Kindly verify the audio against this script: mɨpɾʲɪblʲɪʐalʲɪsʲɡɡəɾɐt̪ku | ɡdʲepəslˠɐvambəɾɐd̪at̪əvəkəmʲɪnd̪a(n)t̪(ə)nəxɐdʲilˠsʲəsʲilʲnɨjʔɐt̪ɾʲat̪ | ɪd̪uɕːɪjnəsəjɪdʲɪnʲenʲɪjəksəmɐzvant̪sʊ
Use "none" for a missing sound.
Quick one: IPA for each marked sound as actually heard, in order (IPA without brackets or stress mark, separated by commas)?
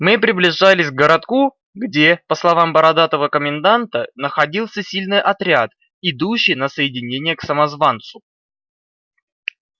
n, ə